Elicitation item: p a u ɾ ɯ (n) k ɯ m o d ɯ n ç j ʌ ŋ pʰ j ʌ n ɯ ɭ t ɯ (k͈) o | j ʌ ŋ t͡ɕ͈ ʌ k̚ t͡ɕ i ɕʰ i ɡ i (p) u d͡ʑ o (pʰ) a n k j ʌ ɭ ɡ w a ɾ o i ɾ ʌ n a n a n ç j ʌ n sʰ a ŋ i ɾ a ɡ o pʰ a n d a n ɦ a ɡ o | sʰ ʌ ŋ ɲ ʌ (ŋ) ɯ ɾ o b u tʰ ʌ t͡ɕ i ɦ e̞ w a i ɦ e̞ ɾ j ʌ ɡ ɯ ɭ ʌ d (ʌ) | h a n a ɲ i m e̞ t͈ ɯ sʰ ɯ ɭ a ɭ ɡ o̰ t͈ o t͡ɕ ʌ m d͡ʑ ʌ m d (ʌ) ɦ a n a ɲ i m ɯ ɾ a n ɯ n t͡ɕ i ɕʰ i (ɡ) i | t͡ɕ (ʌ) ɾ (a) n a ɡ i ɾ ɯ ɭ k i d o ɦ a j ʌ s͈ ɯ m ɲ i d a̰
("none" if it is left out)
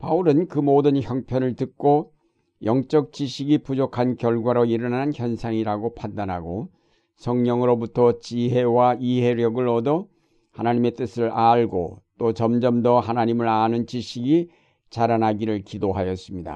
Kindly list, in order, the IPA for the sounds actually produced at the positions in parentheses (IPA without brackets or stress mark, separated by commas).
n, k͈, p, kʰ, ŋ, ʌ, ʌ, ɡ, a, a